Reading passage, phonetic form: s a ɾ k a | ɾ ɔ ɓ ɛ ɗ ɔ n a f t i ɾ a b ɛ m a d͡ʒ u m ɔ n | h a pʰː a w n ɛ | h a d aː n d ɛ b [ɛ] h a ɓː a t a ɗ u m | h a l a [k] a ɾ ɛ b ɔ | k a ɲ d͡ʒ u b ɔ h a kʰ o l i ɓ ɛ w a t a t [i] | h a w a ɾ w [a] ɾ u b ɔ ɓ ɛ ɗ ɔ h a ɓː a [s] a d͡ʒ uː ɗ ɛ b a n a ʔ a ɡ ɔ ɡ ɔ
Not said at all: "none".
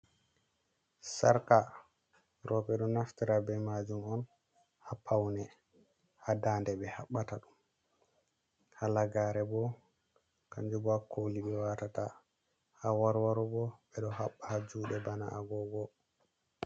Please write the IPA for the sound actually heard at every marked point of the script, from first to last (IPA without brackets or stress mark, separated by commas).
ɛ, ɡ, a, a, h